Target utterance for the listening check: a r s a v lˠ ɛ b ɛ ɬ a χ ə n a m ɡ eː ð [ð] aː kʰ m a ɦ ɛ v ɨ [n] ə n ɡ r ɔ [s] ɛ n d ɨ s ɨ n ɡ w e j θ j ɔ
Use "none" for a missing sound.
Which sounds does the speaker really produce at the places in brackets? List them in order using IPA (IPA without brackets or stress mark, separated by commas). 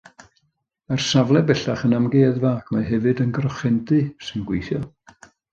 v, d, χ